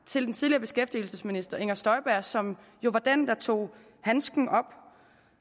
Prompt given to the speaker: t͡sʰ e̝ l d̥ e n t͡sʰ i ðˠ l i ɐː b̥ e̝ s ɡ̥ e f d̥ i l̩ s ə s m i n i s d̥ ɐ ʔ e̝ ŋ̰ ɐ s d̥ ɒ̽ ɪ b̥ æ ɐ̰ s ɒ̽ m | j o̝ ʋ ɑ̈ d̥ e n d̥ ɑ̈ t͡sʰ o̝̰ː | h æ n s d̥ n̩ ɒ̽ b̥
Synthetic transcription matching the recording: t͡sʰ e̝ l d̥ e n t͡sʰ i ðˠ l i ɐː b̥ e̝ s ɡ̥ e f d̥ i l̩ s ə s m i n i s d̥ ɐ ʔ e̝ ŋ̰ ɐ s d̥ ɒ̽ ɪ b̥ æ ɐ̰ s ɒ̽ m | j o̝ ʋ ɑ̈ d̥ e n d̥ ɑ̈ t͡sʰ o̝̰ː | h æ n s ɡ̥ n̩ ɒ̽ b̥